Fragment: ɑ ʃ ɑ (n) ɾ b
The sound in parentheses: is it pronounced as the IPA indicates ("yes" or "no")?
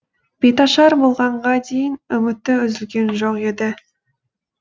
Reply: no